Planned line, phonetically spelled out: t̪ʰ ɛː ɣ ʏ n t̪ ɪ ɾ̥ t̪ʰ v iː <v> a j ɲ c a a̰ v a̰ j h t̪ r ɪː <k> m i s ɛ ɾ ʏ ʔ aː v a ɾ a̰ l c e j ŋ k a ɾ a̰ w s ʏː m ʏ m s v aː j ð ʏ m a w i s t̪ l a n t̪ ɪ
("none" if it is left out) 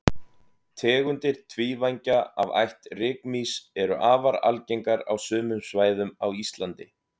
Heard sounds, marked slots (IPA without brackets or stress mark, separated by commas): v, k